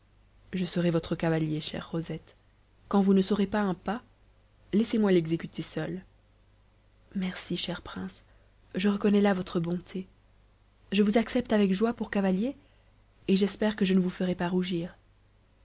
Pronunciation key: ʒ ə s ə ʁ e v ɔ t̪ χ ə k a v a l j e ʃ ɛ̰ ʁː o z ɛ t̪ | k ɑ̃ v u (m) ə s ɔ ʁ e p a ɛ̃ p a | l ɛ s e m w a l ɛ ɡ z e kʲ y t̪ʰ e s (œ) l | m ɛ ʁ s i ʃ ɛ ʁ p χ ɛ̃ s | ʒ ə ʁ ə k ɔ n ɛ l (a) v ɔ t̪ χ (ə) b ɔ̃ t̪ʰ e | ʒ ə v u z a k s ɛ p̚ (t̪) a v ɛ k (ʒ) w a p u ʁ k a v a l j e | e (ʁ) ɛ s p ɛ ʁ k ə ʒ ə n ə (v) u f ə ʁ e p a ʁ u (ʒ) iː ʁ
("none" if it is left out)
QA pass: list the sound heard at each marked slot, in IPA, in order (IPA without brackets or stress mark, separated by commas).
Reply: n, œ, a, ə, t̪, ʒ, ʒ, v, ʒ